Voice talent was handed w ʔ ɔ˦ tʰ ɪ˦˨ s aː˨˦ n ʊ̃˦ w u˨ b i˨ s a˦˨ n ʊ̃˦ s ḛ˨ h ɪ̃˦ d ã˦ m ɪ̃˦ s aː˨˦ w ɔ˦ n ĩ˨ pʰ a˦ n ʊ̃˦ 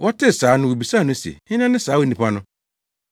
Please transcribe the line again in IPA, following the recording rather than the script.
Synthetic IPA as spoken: w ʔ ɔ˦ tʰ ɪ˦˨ s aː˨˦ n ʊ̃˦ w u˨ b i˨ s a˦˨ n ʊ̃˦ s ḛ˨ h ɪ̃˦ n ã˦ n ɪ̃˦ s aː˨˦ w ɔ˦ n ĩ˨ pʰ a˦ n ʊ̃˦

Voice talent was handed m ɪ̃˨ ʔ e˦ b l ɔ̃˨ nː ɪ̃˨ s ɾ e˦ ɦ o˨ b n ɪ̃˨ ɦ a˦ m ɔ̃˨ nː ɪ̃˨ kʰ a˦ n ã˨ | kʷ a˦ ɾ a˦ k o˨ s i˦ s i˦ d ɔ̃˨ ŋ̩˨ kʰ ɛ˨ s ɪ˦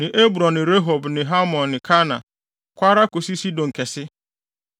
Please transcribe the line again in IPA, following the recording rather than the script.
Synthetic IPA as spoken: n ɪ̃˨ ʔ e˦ b ɾ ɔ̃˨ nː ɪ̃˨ ɾ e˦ ɦ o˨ b n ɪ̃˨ ɦ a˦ m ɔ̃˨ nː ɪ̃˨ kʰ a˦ n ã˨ | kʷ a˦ ɾ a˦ k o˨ s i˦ s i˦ d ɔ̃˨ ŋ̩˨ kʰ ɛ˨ s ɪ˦

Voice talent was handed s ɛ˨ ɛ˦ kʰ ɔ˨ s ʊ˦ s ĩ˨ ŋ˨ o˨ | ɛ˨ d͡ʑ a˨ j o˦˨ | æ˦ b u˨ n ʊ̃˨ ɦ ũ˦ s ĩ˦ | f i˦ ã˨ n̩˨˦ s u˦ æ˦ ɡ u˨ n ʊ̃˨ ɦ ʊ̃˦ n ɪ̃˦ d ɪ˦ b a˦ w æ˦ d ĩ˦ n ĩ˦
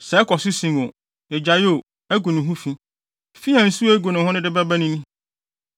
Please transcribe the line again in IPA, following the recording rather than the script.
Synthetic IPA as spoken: s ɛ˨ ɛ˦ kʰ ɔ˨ s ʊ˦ s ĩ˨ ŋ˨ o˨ | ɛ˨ d͡ʑ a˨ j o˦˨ | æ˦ ɡ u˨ n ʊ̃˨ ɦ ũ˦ f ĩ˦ | f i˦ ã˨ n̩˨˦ s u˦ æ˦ ɡ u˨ n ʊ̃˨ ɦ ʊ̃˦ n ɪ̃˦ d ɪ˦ b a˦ b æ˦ n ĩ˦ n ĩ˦

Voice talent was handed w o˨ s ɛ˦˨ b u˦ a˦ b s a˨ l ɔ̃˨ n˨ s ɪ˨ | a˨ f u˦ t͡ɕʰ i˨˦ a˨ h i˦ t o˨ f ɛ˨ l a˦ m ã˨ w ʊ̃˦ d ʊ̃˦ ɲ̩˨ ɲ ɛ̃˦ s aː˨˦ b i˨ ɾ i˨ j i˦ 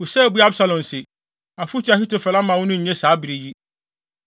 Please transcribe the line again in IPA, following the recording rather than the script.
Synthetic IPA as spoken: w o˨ s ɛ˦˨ b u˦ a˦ b s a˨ l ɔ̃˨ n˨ s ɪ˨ | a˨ f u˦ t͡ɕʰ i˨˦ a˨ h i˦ t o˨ f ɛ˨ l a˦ m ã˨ w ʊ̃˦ n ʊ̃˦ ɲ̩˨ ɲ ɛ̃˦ s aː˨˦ b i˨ ɾ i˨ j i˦

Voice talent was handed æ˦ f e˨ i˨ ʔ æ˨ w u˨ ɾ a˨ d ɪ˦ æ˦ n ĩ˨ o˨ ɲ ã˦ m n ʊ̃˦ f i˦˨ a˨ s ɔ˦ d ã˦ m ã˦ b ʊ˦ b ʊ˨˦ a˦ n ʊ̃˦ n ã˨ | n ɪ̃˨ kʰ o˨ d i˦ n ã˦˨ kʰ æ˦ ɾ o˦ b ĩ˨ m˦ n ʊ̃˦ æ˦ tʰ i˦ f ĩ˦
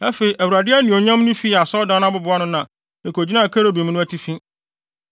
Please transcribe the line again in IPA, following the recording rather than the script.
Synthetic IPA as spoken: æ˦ f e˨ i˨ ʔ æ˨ w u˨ ɾ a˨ d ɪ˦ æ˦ n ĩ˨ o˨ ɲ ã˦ m n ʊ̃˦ f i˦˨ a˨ s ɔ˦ d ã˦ n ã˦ b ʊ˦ b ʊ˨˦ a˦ n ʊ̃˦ n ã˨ | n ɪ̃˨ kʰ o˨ d͡ʑ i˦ n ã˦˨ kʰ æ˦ ɾ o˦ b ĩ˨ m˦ n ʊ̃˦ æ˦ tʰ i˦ f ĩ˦

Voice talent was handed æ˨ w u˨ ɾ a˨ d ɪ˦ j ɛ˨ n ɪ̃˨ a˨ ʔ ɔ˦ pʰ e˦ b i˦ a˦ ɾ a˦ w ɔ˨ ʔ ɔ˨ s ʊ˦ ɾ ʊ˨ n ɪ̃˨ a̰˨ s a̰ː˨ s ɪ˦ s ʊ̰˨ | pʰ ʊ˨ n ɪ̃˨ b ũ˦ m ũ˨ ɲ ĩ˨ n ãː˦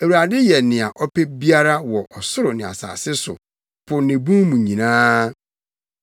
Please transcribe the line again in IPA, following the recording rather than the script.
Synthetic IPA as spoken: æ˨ w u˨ ɾ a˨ d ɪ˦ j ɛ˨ n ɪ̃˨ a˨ ʔ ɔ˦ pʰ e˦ b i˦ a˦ ɾ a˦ w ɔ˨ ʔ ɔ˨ s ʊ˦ ɾ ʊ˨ n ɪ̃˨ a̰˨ s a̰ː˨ s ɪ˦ s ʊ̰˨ | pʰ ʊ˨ n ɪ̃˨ b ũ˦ m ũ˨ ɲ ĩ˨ n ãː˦

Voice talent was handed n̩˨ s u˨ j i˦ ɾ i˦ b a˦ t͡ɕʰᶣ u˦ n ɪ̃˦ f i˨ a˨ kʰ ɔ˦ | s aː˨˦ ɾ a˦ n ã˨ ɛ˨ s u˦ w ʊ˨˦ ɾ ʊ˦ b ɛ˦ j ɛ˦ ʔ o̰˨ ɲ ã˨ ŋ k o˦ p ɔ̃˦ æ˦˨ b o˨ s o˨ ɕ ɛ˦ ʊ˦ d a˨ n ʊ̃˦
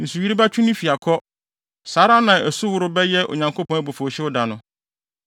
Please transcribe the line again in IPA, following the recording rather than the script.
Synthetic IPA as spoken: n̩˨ s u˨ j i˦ ɾ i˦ b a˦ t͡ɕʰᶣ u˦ n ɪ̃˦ f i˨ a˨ kʰ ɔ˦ | s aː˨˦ ɾ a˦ n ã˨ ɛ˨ s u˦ w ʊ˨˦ ɾ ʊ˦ b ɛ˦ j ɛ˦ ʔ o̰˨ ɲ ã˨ ŋ k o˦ p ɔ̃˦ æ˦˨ b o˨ f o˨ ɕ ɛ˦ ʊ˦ d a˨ n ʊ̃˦

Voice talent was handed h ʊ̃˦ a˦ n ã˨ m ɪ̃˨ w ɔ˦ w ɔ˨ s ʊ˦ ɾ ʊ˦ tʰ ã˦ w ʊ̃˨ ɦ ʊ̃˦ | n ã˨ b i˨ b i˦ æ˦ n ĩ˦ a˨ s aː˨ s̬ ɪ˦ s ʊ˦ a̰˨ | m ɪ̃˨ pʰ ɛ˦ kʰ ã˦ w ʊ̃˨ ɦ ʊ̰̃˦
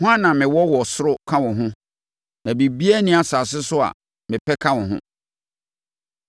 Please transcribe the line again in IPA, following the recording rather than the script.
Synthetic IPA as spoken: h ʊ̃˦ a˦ n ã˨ m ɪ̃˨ w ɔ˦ w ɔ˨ s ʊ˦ ɾ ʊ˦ kʰ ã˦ w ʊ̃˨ ɦ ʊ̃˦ | n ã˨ b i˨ b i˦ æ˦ n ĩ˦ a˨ s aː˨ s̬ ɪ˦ s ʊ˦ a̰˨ | m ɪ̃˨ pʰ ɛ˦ kʰ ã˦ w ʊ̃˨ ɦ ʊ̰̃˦

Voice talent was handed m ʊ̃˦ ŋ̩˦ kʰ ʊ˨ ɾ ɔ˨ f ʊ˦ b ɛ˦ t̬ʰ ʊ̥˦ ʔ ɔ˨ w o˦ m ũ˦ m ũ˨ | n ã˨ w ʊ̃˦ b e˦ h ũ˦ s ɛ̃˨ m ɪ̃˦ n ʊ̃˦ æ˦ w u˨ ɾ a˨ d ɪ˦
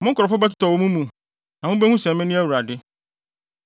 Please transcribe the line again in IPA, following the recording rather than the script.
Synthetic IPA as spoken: m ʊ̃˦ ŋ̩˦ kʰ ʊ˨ ɾ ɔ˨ f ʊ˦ b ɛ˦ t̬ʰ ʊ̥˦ t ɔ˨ w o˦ m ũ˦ m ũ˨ | n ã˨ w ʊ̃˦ b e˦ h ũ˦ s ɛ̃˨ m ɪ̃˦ n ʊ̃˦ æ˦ w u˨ ɾ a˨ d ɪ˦

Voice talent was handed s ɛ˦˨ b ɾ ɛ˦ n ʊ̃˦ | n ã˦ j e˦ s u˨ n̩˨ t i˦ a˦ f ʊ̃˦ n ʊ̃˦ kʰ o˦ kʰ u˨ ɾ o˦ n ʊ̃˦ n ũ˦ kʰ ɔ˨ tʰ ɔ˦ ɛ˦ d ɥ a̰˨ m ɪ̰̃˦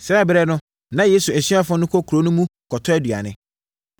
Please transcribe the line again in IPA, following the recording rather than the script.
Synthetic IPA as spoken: s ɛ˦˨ b ɾ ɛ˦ n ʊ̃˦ | n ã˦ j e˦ s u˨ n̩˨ s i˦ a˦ f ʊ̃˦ n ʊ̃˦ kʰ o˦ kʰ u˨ ɾ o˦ n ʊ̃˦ m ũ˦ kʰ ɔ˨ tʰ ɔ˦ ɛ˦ d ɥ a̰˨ n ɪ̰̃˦

